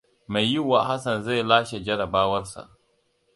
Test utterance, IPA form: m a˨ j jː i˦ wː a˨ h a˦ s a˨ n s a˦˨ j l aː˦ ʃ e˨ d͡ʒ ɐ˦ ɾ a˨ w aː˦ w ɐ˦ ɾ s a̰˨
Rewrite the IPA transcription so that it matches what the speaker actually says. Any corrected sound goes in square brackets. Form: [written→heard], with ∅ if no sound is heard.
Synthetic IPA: m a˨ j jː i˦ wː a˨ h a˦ s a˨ n [s→z] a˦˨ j l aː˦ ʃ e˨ d͡ʒ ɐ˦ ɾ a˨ [w→b] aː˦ w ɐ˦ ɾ s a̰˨